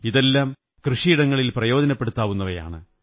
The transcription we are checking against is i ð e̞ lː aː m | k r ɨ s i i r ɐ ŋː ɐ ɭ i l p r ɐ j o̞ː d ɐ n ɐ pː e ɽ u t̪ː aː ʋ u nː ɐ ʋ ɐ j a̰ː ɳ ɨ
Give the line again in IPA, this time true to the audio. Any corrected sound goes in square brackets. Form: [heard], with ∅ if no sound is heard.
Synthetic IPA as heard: i ð e̞ lː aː m | k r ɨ [ʂ] i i [ɽ] ɐ ŋː ɐ ɭ i l p r ɐ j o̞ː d ɐ n ɐ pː e ɽ u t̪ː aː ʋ u nː ɐ ʋ ɐ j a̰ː ɳ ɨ